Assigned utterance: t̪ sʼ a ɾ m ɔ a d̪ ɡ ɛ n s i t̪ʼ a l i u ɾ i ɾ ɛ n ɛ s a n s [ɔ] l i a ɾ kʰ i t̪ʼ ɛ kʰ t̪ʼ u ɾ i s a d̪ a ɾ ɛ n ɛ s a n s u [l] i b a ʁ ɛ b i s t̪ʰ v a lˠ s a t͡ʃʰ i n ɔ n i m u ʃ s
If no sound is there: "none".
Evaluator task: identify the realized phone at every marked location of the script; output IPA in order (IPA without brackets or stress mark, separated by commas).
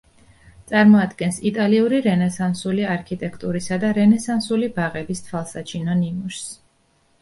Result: u, l